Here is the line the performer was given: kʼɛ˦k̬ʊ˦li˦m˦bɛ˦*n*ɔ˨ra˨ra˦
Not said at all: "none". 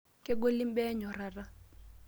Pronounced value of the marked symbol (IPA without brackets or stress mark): ɲ